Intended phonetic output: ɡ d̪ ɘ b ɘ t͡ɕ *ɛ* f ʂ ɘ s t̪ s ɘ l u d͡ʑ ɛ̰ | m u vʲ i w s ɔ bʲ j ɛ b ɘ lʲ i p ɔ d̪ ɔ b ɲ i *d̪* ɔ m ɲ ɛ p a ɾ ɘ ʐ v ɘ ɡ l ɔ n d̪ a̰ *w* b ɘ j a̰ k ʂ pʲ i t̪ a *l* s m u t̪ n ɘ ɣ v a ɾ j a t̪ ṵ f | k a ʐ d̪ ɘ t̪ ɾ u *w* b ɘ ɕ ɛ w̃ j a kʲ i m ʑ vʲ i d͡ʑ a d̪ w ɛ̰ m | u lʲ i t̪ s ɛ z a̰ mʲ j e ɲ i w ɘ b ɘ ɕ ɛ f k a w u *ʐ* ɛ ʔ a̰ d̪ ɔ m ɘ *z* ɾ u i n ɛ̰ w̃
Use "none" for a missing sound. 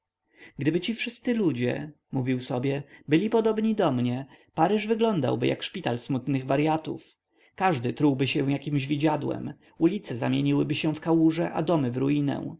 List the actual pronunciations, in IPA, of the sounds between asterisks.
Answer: i, d̪, w, l, w, ʐ, v

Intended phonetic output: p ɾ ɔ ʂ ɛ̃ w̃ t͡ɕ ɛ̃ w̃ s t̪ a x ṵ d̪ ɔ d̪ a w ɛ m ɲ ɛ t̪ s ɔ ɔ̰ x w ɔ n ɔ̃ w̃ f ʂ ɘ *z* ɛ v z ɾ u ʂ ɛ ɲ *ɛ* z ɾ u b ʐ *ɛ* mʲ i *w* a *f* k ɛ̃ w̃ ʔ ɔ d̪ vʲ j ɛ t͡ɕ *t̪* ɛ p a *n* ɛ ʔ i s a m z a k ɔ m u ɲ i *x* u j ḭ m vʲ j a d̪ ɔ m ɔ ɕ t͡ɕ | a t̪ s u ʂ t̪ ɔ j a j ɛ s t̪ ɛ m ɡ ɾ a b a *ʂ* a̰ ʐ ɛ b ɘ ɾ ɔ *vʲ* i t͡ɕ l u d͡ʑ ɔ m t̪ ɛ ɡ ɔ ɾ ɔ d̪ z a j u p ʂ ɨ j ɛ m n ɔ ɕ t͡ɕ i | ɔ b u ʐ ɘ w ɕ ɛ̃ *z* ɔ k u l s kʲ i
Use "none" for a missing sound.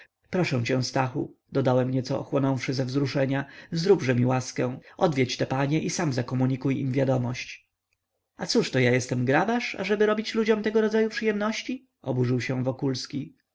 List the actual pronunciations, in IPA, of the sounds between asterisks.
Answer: z, a, ɛ, w, s, t̪, ɲ, k, ʂ, bʲ, v

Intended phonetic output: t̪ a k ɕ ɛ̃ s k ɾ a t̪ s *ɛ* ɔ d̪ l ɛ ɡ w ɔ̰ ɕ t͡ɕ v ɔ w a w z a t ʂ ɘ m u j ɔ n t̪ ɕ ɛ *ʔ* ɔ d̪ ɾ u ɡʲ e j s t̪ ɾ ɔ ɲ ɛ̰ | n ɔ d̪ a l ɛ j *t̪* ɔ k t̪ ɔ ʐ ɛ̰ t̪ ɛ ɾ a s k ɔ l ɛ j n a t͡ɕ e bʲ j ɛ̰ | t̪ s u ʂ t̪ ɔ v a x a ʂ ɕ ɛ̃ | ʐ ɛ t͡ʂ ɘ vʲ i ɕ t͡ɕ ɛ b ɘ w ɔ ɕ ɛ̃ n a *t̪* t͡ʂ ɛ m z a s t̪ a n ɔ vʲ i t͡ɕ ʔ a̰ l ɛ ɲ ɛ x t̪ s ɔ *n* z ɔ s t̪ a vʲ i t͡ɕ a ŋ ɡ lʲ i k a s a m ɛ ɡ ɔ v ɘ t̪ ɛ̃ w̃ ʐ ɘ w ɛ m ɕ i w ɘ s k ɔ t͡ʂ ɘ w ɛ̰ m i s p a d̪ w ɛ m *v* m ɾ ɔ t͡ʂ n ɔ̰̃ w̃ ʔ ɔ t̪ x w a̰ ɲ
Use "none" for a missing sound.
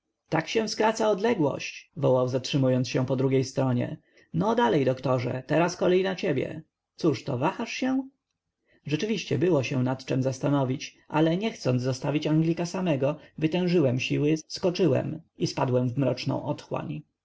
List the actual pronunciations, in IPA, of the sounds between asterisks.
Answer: a, p, d̪, t̪, n, v

